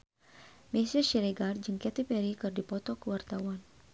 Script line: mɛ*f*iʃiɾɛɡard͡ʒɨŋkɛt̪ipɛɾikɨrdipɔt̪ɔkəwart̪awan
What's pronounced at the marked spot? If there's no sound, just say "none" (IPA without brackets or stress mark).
s